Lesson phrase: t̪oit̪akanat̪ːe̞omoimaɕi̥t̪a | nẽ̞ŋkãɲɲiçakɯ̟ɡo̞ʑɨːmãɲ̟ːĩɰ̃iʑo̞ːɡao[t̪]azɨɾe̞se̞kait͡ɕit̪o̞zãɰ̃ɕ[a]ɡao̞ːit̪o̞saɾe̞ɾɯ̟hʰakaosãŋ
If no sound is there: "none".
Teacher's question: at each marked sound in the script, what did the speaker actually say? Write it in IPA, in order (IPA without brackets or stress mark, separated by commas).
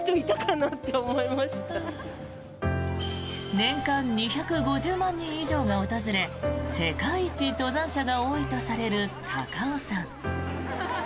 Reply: t̪, a